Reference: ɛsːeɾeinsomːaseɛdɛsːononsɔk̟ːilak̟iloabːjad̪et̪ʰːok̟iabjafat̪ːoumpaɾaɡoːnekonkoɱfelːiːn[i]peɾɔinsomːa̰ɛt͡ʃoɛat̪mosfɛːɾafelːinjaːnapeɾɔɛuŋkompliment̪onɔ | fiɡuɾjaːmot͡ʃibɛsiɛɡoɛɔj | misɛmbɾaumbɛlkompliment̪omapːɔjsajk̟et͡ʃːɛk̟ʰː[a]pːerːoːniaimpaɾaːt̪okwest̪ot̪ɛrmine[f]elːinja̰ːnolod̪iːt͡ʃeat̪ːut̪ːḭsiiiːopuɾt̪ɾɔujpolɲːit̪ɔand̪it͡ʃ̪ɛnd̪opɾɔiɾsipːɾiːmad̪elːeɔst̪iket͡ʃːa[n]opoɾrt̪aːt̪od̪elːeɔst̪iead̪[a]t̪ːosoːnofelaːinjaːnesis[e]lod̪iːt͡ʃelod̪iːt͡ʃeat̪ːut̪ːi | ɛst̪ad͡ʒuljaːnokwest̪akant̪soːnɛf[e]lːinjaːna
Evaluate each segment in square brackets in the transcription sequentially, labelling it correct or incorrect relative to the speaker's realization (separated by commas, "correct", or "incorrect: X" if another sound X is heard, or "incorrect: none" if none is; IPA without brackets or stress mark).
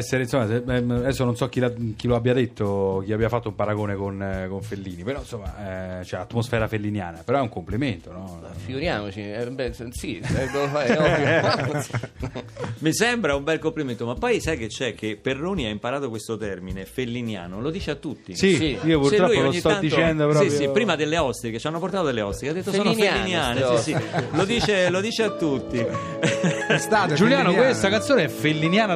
correct, incorrect: e, correct, incorrect: nː, incorrect: e, incorrect: i, correct